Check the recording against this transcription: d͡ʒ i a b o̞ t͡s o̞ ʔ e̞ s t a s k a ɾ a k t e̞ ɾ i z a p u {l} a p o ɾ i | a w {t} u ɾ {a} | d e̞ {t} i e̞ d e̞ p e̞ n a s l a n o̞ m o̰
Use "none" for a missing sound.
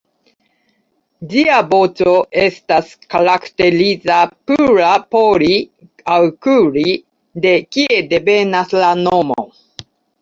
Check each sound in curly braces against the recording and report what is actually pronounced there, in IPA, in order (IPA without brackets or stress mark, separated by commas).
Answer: ɾ, k, i, k